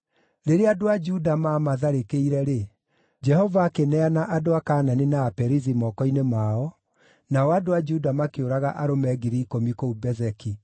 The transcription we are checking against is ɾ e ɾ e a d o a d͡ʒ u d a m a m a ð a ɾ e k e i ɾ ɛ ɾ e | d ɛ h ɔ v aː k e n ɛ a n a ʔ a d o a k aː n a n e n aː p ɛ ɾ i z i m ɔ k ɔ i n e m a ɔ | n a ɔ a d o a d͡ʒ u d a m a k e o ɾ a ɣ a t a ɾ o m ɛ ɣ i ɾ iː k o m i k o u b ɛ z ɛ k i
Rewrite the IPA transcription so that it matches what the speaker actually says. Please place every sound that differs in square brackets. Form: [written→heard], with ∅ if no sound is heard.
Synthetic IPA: ɾ e ɾ e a d o a d͡ʒ u d a m a m a ð a ɾ e k e i ɾ ɛ ɾ e | [d→d͡ʒ] ɛ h ɔ v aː k e n ɛ a n a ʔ a d o a k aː n a n e n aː p ɛ ɾ i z i m ɔ k ɔ i n e m a ɔ | n a ɔ a d o a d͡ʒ u d a m a k e o ɾ a ɣ a [t→ʔ] a ɾ o m ɛ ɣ i ɾ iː k o m i k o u b ɛ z ɛ k i